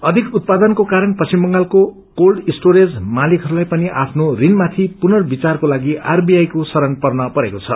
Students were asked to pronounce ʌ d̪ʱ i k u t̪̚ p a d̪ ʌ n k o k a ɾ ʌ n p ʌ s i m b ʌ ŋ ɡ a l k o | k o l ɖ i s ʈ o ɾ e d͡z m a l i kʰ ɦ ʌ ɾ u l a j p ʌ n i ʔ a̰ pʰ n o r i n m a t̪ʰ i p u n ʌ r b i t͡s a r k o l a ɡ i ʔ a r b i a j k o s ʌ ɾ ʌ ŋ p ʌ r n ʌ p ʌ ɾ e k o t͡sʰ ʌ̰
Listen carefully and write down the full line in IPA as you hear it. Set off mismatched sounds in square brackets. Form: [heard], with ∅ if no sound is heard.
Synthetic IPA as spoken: ʌ d̪ʱ i k u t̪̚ p a d̪ ʌ n k o k a ɾ ʌ n p ʌ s i m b ʌ ŋ ɡ a l k o | k o l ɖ i s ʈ o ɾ e d͡z m a l i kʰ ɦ ʌ ɾ u l a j p ʌ n i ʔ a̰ pʰ n o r i n m a t̪ʰ i p u n ʌ r b i t͡s a r k o l a ɡ i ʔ a r b i a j k o s ʌ ɾ ʌ [n] p ʌ r n ʌ p ʌ ɾ e k o t͡sʰ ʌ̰